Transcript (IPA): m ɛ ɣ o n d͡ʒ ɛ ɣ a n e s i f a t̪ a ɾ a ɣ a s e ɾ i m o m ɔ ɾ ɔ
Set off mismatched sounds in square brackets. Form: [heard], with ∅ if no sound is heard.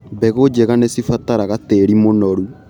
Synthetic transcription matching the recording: [b] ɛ ɣ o [∅] d͡ʒ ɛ ɣ a n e s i f a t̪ a ɾ a ɣ a [t] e ɾ i m o [n] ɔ ɾ [u]